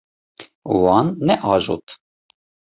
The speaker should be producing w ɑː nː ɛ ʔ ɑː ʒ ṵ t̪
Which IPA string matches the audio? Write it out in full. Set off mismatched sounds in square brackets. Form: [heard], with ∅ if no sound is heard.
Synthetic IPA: w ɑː nː ɛ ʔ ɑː ʒ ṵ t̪